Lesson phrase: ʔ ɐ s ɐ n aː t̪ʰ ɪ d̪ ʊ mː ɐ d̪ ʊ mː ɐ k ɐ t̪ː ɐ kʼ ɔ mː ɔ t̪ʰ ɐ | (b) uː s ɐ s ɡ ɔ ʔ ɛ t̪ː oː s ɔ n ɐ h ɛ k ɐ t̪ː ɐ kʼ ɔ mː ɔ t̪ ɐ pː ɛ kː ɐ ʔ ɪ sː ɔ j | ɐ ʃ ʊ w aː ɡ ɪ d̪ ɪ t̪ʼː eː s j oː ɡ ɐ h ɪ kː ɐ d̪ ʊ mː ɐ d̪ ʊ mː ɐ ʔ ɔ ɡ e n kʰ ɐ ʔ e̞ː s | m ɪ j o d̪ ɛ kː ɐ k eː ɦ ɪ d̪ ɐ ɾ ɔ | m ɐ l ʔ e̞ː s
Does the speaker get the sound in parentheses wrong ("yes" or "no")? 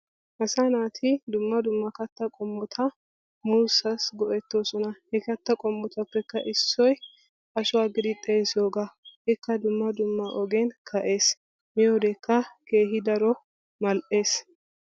yes